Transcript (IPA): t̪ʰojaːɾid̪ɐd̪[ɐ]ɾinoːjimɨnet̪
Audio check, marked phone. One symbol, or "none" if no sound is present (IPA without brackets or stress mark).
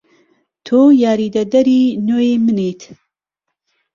ɐ